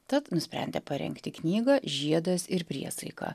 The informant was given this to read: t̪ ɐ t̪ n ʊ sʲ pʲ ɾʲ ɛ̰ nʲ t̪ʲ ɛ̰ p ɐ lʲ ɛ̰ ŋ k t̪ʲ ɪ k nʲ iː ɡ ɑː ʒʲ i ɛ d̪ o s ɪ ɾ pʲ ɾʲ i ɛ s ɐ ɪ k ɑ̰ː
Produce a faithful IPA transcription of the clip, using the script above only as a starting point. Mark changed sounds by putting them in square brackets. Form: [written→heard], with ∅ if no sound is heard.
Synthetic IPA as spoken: t̪ ɐ t̪ n ʊ sʲ pʲ ɾʲ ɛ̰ nʲ [t̪ʲ→d̪ʲ] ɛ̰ p ɐ [lʲ→ɾʲ] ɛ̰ ŋ k t̪ʲ ɪ k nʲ iː ɡ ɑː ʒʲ i ɛ d̪ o s ɪ ɾ pʲ ɾʲ i ɛ s ɐ ɪ k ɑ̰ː